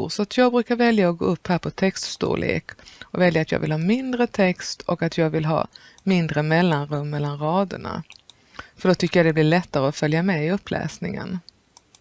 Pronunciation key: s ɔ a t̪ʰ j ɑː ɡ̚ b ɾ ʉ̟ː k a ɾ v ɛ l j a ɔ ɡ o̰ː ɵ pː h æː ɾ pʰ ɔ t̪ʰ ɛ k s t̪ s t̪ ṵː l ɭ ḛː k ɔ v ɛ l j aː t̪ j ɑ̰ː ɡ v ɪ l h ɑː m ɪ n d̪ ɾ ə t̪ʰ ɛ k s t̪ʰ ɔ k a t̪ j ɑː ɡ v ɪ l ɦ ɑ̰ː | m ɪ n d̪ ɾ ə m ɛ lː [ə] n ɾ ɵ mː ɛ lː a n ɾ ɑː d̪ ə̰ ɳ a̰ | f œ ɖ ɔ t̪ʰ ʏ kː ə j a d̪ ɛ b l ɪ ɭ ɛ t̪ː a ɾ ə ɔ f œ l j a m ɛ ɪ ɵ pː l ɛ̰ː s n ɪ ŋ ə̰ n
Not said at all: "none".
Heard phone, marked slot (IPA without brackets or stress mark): a